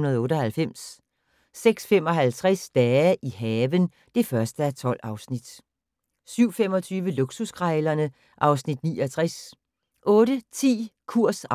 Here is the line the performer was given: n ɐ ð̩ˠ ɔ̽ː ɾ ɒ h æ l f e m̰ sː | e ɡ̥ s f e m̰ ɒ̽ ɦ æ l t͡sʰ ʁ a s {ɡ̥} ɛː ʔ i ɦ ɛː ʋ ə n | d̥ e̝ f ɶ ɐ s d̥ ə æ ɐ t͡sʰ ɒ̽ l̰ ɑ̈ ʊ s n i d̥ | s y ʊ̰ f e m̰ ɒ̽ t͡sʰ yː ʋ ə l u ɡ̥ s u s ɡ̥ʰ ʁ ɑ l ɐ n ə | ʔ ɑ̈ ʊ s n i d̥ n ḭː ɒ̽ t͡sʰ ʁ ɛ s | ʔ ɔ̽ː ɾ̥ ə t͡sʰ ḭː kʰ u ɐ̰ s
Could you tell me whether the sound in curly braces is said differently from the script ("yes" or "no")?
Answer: yes